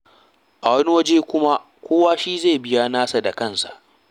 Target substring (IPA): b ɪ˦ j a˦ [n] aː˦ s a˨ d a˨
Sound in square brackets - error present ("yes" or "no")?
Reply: no